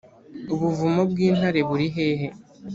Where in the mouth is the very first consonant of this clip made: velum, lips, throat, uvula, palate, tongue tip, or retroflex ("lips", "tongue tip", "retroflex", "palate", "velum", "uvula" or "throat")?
lips